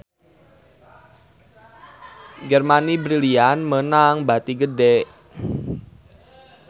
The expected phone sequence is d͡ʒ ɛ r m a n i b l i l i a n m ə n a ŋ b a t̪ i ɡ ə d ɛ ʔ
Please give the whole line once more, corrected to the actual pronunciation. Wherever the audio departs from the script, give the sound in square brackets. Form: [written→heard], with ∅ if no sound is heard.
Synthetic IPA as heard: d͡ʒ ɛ r m a n i b [l→ɾ] i l i a n m ə n a ŋ b a t̪ i ɡ ə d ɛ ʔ